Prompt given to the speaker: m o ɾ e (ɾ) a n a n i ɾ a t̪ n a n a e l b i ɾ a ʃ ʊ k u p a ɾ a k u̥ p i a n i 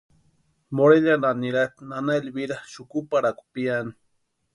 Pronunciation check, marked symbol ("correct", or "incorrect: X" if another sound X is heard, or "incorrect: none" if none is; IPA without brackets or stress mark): incorrect: ʎ